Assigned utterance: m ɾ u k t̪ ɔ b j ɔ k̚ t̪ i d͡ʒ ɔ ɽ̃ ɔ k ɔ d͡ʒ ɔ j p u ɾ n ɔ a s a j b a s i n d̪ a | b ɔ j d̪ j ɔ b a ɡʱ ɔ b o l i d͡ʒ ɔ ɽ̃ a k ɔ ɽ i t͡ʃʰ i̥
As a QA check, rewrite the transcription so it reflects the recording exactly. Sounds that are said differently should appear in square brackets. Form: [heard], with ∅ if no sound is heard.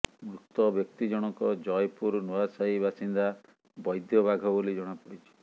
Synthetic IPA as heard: m ɾ u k t̪ ɔ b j ɔ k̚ t̪ i d͡ʒ ɔ ɽ̃ ɔ k ɔ d͡ʒ ɔ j p u ɾ n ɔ a s a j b a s i n d̪ a | b ɔ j d̪ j ɔ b a ɡʱ ɔ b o l i d͡ʒ ɔ ɽ̃ a [p] ɔ ɽ i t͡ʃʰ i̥